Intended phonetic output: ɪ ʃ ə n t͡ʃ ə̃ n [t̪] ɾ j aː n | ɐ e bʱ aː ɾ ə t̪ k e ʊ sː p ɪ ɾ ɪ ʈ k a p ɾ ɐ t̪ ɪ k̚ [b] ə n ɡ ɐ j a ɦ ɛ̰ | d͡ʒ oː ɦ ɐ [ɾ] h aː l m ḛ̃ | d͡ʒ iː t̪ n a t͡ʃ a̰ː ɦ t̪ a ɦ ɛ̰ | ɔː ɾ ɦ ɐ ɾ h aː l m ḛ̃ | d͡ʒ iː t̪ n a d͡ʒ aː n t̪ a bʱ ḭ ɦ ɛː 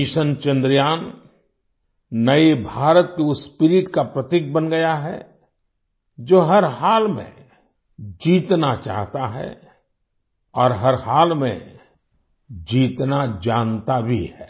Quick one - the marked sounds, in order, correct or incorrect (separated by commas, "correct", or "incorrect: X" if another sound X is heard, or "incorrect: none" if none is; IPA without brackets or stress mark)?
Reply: incorrect: d̪, correct, correct